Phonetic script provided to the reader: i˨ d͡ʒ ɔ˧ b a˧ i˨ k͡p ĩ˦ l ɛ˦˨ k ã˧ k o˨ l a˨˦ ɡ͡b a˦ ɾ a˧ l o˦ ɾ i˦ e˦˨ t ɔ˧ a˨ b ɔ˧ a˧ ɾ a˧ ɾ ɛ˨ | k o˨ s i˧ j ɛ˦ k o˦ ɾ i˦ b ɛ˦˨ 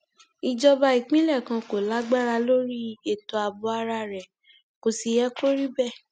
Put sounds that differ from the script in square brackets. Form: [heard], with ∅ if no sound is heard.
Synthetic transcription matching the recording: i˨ d͡ʒ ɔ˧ b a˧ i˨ k͡p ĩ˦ l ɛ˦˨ k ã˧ k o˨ l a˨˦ ɡ͡b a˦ ɾ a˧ l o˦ ɾ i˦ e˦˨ t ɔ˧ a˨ b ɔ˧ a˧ ɾ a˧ ɾ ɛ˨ | k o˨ s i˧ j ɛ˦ k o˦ ɾ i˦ b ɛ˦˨